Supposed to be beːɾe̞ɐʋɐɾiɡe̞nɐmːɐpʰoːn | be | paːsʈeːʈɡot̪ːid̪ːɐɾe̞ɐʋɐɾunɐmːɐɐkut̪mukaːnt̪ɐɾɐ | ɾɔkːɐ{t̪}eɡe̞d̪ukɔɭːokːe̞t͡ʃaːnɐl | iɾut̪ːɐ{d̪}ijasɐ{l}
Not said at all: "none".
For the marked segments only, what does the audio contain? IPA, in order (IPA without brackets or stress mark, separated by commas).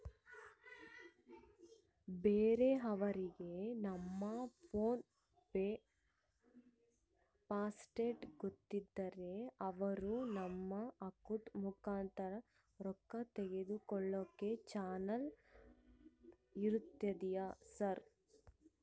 t̪, d̪, ɾ